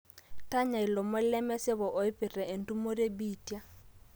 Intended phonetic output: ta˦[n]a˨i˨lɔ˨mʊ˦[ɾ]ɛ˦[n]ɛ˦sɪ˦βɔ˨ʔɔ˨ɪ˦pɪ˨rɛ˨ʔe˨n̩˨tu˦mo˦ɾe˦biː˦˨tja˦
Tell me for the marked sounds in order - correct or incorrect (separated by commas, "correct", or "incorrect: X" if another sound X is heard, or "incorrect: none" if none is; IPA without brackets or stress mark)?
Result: incorrect: ɲ, incorrect: l, incorrect: m